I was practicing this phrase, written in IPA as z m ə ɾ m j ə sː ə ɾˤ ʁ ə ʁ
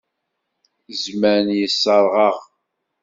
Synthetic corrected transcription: z m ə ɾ n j ə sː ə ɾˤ ʁ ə ʁ